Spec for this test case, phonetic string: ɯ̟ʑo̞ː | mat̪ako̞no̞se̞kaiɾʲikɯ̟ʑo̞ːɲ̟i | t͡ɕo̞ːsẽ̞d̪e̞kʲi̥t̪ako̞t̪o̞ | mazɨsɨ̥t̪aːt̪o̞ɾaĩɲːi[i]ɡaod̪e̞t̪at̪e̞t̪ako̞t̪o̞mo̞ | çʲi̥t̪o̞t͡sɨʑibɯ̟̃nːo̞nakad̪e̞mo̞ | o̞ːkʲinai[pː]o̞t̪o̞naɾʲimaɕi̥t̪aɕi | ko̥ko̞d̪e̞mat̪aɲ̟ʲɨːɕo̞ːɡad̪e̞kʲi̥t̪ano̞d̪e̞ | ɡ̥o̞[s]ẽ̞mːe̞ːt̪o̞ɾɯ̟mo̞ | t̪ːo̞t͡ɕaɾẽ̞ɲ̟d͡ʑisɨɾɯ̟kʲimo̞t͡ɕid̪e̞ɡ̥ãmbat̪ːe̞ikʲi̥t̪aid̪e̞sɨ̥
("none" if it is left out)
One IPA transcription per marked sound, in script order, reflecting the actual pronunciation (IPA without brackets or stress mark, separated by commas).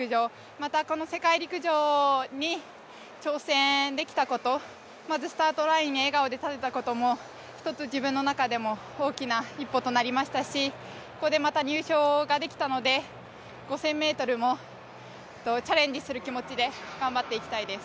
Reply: e, pː, s